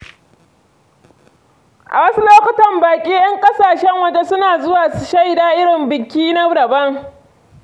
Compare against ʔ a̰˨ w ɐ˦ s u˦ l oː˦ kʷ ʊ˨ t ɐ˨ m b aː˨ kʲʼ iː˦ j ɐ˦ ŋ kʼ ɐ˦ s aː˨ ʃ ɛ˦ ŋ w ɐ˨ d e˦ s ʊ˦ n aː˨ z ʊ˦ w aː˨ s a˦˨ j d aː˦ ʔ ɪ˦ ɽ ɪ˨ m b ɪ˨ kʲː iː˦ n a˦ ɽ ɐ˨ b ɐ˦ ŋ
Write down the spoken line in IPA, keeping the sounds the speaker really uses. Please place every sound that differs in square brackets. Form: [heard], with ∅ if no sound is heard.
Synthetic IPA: ʔ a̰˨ w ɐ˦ s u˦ l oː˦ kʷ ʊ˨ t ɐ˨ m b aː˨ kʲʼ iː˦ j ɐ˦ ŋ kʼ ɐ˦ s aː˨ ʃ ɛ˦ ŋ w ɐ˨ [d͡ʒ] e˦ s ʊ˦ n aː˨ z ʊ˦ w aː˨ [ʃ] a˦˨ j d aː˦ ʔ ɪ˦ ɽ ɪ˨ m b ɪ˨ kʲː iː˦ n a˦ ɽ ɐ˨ b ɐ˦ ŋ